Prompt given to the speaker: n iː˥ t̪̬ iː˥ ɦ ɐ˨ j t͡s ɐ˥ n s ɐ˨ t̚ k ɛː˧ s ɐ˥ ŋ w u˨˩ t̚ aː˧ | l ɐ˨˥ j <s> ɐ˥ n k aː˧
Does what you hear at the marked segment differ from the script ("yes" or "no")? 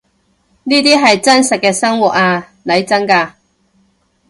yes